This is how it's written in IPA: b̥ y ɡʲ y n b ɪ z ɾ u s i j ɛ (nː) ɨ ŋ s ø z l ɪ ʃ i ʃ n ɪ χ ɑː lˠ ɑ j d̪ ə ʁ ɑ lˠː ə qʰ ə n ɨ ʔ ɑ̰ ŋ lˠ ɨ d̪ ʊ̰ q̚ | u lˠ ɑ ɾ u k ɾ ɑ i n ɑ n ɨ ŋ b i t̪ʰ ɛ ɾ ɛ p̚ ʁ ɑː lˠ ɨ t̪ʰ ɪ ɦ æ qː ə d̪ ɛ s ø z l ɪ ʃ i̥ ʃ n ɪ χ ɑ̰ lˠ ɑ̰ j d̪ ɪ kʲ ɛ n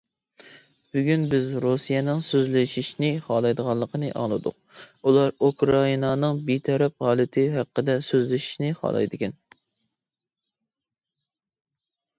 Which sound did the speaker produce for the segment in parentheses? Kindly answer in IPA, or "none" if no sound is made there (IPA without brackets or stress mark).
n